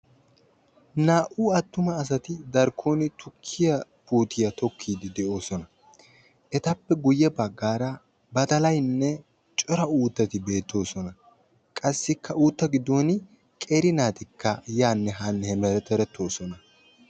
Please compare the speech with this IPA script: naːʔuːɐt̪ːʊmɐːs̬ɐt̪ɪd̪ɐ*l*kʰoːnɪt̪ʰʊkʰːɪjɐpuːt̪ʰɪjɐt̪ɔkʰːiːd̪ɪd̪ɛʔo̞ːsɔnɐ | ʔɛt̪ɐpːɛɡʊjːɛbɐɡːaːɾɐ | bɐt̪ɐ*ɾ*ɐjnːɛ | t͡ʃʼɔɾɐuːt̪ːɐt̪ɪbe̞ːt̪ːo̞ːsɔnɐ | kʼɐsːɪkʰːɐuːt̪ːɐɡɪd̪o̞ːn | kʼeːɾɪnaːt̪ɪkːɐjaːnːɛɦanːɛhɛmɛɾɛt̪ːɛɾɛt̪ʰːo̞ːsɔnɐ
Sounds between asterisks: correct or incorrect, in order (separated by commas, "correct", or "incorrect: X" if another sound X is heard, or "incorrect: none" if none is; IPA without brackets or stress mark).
incorrect: ɾ, incorrect: l